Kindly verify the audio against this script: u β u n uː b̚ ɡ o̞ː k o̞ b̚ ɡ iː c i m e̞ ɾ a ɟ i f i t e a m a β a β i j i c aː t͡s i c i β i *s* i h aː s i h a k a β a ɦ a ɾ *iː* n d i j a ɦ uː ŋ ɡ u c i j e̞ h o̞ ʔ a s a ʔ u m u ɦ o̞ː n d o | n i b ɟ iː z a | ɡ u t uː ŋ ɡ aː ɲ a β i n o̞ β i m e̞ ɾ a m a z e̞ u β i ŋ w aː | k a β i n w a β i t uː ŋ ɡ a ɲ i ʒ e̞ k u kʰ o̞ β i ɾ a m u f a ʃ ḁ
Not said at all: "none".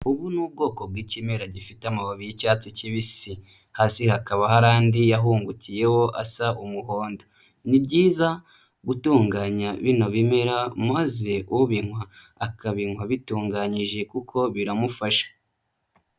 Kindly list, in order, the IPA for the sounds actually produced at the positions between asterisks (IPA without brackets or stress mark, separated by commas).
s, aː